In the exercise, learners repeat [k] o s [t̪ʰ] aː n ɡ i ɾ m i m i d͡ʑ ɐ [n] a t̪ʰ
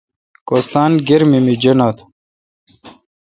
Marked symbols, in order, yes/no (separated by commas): yes, no, yes